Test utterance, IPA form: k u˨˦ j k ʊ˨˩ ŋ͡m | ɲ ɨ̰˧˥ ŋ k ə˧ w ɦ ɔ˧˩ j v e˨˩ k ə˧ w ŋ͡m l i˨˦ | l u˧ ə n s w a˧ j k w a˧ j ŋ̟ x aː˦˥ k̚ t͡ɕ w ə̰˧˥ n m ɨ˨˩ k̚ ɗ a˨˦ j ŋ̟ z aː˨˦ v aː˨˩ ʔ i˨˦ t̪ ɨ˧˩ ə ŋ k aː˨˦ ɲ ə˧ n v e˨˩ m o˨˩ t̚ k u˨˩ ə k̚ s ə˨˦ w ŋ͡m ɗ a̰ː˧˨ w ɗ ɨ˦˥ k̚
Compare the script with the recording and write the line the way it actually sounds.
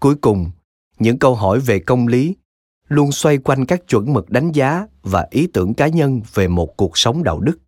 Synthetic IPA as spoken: k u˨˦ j k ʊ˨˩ ŋ͡m | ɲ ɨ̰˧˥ ŋ k ə˧ w ɦ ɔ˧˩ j v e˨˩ k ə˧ w ŋ͡m l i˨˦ | l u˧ ə n s w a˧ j k w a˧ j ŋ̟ k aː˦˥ k̚ t͡ɕ w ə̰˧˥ n m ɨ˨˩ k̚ ɗ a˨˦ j ŋ̟ z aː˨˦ v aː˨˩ ʔ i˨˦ t̪ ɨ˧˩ ə ŋ k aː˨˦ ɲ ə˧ n v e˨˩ m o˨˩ t̚ k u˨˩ ə k̚ s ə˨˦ w ŋ͡m ɗ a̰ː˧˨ w ɗ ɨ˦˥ k̚